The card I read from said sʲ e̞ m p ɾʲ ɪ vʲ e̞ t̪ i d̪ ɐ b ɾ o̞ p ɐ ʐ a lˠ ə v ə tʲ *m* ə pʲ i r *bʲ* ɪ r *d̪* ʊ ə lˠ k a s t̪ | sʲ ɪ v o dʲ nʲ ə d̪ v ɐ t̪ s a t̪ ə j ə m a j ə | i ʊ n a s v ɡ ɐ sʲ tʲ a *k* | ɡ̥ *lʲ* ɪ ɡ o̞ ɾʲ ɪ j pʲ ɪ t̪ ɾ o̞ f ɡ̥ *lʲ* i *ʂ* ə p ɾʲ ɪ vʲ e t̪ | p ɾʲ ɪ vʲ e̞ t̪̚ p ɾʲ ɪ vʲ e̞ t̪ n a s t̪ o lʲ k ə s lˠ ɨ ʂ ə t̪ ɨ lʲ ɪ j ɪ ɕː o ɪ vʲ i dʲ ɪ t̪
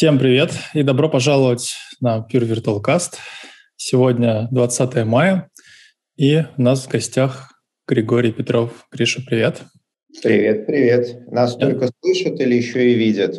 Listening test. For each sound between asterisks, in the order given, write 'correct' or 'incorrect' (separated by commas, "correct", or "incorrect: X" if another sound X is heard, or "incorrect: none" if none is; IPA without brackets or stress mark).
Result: incorrect: n, incorrect: vʲ, incorrect: t̪, incorrect: x, incorrect: ɾʲ, incorrect: ɾʲ, correct